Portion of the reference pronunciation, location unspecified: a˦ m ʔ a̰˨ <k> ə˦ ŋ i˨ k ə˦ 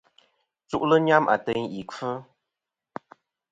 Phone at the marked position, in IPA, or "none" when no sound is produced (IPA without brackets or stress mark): t